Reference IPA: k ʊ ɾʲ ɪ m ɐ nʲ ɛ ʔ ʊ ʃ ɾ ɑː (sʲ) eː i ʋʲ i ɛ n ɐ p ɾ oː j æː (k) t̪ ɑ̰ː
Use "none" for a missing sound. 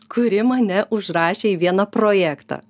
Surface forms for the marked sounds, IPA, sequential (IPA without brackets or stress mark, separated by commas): ʃʲ, k